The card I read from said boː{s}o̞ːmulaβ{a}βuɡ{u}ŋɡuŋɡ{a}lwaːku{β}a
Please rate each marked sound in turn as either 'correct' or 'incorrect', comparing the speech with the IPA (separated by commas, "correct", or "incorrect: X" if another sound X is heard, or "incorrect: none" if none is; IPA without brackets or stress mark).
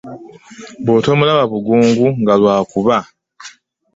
incorrect: t, correct, incorrect: uː, correct, correct